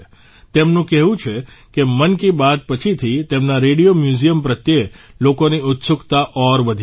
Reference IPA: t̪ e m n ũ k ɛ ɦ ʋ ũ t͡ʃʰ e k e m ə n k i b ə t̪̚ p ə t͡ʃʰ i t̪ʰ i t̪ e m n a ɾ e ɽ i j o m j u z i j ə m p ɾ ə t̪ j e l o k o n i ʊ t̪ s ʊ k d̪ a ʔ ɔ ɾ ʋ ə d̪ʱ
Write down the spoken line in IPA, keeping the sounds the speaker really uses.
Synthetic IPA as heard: t̪ e m n ũ k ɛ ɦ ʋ ũ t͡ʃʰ e k e m ə n k i b a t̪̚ p ə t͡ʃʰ i t̪ʰ i t̪ e m n a ɾ e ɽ i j o m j u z i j ə m p ɾ ə t̪ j e l o k o n i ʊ t̪ s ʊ k t̪ a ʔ ɔ ɾ ʋ ə d̪ʱ